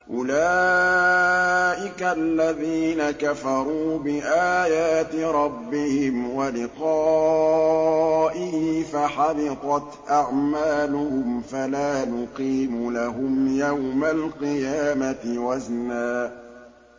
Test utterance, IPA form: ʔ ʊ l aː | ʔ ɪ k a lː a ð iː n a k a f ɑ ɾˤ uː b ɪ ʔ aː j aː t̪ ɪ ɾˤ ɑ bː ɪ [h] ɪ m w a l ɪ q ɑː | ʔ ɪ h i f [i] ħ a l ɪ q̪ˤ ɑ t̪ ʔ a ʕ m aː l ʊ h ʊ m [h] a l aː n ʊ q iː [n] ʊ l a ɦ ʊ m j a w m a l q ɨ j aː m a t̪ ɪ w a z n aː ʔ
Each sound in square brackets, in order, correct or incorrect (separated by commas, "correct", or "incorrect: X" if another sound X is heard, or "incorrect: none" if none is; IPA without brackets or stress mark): correct, incorrect: a, incorrect: f, incorrect: m